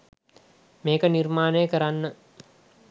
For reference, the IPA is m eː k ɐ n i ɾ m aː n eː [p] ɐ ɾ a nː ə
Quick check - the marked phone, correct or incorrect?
incorrect